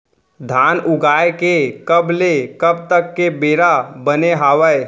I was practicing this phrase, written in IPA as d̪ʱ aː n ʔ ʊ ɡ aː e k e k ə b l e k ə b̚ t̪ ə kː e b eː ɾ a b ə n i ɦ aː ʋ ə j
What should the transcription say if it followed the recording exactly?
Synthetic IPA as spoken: d̪ʱ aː n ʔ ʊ ɡ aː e k e k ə b l e k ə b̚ t̪ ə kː e b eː ɾ a b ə n e ɦ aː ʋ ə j